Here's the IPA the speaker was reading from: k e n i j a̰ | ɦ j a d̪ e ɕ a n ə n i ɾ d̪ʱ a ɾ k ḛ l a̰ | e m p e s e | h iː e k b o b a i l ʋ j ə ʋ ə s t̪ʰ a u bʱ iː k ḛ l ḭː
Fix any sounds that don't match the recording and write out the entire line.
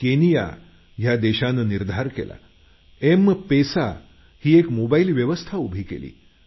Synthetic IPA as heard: k e n i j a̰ | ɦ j a d̪ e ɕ a n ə n i ɾ d̪ʱ a ɾ k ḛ l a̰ | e m p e s a | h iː e k m o b a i l ʋ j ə ʋ ə s t̪ʰ a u bʱ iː k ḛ l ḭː